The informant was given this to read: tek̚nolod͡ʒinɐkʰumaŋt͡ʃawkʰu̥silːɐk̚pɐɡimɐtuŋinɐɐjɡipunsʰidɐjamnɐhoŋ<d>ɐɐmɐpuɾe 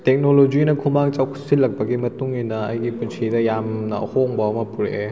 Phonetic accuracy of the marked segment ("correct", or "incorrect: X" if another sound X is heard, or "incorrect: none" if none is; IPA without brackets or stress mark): incorrect: b